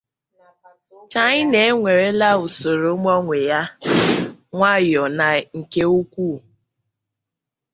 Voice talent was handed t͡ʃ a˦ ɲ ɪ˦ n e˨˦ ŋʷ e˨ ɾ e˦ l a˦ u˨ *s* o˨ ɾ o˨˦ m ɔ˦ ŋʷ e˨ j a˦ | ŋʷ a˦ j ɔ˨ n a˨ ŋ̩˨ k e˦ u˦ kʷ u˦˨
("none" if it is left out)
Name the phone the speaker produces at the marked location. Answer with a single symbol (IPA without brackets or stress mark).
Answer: s